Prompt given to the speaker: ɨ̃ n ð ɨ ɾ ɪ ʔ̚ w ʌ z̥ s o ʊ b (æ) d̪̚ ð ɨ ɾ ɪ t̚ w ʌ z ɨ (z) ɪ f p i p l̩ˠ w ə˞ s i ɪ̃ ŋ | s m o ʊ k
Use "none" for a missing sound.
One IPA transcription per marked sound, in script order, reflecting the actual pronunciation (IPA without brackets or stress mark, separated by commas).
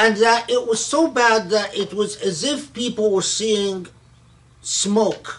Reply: æ, z